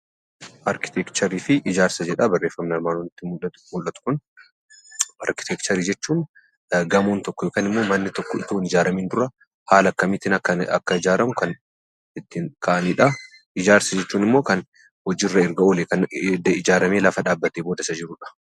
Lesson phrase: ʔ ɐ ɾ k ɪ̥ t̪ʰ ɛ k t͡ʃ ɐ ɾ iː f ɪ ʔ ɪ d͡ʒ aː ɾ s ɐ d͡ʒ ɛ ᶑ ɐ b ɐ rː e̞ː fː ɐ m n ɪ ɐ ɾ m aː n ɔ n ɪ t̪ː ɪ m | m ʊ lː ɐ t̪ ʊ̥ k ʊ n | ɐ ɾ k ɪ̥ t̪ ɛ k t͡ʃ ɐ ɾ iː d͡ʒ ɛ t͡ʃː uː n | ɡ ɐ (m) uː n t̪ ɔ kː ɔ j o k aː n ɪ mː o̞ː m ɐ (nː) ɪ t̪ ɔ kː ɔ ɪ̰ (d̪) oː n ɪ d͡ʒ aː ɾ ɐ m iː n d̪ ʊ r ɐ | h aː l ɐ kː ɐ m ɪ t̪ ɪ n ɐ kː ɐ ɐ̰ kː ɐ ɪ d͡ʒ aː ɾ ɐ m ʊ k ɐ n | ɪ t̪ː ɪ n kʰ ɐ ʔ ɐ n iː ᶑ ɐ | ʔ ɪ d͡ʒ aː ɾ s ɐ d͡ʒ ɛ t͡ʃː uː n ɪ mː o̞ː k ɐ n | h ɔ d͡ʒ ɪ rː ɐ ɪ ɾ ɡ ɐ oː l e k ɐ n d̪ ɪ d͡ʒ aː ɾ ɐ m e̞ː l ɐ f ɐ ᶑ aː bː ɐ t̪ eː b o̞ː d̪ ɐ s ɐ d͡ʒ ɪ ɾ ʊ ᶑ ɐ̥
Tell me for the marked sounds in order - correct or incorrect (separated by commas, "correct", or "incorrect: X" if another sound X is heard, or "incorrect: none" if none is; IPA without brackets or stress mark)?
correct, correct, incorrect: t̪